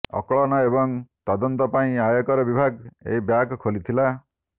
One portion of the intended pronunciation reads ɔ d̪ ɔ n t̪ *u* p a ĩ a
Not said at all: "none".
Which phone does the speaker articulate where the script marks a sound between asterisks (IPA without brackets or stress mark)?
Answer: ɔ